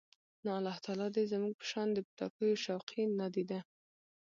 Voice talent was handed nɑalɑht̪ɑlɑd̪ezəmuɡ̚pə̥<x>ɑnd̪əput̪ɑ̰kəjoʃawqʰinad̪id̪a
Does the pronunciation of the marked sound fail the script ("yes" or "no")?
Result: yes